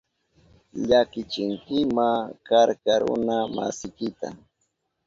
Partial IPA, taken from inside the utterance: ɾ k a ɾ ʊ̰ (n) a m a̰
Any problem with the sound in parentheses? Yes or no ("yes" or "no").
no